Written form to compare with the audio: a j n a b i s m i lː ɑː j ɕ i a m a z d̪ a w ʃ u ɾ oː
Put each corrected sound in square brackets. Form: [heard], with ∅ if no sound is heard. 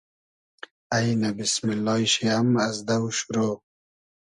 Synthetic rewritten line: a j n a b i s m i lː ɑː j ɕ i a m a z d̪ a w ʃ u ɾ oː